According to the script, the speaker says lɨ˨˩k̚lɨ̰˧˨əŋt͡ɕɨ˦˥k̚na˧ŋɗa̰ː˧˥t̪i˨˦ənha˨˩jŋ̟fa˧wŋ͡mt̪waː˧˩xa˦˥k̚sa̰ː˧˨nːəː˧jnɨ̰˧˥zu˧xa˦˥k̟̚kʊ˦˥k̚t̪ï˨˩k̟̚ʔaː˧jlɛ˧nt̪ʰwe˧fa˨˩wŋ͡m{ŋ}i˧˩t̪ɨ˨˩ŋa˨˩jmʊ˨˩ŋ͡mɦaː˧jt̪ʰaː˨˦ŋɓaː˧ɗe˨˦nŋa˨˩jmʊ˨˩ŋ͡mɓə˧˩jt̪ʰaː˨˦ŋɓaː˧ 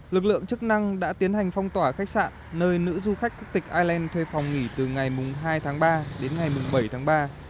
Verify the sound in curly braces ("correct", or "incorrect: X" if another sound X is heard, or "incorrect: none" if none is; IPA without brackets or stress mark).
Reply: correct